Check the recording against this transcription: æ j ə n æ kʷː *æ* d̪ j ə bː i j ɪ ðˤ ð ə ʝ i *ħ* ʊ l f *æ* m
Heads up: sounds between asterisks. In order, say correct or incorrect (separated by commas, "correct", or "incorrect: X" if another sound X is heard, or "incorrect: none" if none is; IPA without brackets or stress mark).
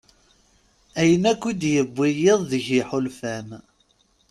incorrect: i, correct, correct